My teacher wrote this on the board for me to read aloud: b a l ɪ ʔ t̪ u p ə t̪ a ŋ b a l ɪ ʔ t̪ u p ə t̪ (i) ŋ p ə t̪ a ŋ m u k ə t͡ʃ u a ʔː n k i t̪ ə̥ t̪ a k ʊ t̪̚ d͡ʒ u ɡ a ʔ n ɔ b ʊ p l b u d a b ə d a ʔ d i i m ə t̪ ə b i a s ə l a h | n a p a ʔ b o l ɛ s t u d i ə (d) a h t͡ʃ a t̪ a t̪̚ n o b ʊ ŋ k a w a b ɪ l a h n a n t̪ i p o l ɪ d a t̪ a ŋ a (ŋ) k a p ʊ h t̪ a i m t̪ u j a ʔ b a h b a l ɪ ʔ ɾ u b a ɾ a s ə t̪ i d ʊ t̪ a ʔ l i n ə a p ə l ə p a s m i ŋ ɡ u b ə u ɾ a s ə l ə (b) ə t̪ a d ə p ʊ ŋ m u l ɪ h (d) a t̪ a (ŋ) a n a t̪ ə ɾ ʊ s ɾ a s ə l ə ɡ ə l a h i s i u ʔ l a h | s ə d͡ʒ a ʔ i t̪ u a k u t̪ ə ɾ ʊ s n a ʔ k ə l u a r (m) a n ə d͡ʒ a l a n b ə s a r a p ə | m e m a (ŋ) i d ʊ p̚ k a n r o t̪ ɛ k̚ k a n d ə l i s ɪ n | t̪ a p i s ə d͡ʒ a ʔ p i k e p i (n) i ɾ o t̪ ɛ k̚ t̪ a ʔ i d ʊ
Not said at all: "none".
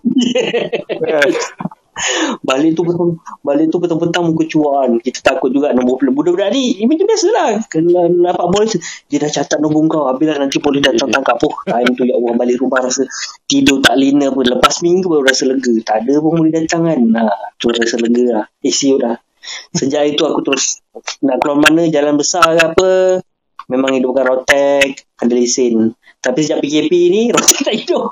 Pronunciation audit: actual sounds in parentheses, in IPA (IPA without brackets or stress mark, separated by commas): a, d, ŋ, ɡ, d, ŋ, m, ŋ, n